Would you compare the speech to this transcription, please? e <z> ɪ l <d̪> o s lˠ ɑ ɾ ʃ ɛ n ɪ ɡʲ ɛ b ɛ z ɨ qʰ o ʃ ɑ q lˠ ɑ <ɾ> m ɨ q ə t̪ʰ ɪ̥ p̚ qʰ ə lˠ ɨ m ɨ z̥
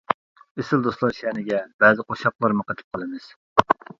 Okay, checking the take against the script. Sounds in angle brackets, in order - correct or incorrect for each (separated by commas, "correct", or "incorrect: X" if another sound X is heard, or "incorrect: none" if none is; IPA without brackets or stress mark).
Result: incorrect: s, correct, correct